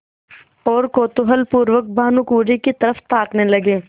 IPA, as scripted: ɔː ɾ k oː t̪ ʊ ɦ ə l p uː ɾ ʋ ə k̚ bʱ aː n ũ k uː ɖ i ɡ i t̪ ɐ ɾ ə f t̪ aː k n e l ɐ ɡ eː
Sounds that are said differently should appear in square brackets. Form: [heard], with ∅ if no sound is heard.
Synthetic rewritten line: ɔː ɾ k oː t̪ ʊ ɦ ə l p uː ɾ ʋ ə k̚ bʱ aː n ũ k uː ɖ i [k] i t̪ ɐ ɾ ə f t̪ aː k n e l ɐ ɡ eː